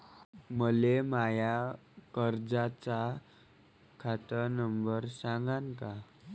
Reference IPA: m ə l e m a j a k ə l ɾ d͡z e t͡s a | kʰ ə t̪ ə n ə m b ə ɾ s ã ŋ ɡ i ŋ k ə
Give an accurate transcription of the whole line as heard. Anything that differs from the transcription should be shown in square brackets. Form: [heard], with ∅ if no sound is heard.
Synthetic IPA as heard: m ə l e m a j a k ə [∅] ɾ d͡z [a] t͡s a | kʰ [a] t̪ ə n ə m b ə ɾ s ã ŋ ɡ [a] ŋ k [a]